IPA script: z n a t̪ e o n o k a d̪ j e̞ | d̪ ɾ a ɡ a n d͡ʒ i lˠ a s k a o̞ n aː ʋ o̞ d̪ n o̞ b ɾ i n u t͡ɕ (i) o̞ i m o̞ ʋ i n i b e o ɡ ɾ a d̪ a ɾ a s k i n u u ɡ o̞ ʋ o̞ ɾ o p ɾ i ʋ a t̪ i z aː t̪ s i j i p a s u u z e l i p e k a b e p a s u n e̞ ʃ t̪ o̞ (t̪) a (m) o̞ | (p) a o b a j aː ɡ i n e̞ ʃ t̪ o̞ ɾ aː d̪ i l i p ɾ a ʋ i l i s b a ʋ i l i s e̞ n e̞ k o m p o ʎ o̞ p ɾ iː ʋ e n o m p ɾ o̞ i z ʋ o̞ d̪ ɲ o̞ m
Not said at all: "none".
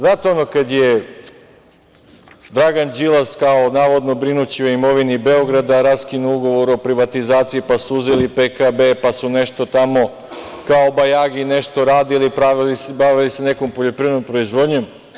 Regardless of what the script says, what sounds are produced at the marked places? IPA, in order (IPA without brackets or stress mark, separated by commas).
i, t̪, m, k